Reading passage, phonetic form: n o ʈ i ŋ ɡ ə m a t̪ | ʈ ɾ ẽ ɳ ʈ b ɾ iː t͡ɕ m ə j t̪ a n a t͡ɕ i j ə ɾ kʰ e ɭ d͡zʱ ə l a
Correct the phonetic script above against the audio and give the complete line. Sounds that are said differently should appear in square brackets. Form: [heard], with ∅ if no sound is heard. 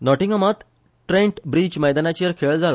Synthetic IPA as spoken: n [ɔ] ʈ i ŋ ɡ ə m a t̪ | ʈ ɾ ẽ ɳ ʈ b ɾ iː t͡ɕ m ə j [d̪] a n a t͡ɕ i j ə ɾ kʰ e ɭ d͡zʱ [a] l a